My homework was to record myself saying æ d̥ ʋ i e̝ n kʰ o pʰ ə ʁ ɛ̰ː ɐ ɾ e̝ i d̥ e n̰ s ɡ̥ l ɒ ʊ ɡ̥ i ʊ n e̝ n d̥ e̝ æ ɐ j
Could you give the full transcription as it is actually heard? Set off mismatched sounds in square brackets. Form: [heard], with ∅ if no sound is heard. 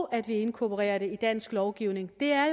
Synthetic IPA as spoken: æ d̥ ʋ i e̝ n kʰ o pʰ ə ʁ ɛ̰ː ɐ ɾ e̝ i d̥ [æ] n̰ s ɡ̥ l ɒ ʊ ɡ̥ i ʊ n e̝ [ŋ] d̥ e̝ æ ɐ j